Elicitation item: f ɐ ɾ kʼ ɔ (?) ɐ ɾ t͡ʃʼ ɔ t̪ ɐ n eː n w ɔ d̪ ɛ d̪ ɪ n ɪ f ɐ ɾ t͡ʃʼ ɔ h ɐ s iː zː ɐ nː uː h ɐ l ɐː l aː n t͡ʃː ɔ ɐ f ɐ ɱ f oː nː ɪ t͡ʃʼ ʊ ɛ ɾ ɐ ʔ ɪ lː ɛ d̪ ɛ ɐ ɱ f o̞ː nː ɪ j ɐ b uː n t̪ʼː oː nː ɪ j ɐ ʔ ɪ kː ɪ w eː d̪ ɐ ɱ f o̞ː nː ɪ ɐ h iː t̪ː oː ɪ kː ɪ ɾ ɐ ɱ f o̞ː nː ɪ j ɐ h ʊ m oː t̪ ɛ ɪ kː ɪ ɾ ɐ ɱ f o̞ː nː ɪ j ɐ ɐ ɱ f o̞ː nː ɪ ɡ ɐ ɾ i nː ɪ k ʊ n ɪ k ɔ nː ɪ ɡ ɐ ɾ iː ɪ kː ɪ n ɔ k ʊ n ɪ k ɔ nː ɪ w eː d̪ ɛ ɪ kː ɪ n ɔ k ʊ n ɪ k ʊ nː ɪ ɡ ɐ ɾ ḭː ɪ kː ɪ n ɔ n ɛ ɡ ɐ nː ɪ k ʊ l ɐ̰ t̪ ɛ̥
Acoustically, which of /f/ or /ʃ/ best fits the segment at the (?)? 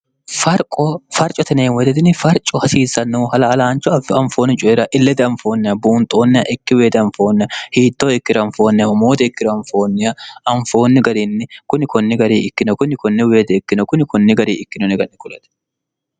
f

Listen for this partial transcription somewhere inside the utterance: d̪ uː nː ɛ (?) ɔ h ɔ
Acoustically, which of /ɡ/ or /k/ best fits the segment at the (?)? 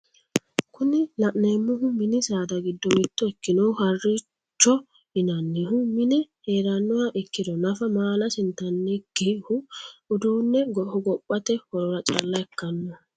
ɡ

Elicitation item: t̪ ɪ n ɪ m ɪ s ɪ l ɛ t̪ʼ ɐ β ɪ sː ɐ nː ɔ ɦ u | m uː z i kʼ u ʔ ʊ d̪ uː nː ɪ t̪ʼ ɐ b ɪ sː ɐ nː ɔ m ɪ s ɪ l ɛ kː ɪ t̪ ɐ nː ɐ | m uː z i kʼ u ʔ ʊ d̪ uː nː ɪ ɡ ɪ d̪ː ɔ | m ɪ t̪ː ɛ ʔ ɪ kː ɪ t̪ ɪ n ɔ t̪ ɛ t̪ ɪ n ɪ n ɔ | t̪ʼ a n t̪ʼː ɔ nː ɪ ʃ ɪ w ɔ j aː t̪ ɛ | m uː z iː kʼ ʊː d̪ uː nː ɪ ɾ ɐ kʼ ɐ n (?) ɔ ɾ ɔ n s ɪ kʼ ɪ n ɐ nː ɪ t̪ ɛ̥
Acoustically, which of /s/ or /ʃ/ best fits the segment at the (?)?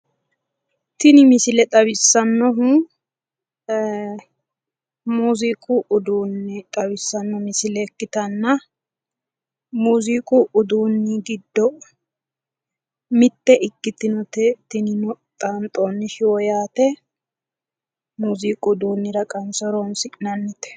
s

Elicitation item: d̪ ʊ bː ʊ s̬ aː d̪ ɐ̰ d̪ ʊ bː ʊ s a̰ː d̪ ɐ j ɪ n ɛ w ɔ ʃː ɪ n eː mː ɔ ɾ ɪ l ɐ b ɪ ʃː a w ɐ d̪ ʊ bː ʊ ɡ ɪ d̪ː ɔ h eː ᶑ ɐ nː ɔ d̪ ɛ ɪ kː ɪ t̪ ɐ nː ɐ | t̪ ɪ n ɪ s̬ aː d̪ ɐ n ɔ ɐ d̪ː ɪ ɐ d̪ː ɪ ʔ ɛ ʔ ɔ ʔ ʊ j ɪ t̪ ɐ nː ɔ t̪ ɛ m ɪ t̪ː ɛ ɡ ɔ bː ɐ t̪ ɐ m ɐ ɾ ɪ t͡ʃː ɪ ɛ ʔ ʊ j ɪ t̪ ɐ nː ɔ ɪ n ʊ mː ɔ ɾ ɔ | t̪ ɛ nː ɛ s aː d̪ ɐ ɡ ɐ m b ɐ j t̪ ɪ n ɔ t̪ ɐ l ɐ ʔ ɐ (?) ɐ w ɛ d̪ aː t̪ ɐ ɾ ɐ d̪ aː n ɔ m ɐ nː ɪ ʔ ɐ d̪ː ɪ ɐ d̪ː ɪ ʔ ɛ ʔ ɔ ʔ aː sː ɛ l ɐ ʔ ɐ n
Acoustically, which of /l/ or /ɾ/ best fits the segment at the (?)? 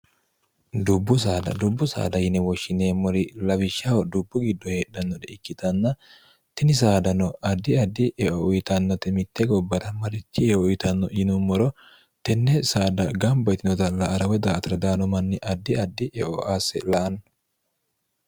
ɾ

